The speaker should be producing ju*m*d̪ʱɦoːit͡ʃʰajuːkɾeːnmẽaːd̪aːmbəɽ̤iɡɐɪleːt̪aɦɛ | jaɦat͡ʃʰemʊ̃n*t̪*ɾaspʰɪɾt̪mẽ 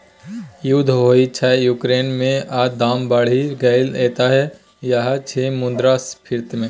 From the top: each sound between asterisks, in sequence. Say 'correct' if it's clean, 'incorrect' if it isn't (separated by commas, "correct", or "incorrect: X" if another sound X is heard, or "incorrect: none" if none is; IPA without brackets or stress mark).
incorrect: none, incorrect: d̪